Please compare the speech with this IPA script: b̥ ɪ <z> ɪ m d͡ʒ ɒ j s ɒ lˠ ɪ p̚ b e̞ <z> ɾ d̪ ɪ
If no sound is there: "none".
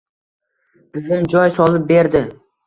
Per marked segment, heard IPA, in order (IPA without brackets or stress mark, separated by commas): z, none